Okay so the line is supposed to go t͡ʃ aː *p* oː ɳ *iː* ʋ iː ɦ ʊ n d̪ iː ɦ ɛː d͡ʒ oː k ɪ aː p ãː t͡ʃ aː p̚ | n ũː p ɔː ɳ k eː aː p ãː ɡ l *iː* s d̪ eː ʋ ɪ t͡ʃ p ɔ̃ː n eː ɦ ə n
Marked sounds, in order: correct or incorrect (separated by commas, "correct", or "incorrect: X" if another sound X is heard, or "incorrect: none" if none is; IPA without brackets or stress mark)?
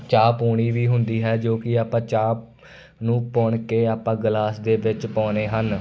correct, correct, incorrect: aː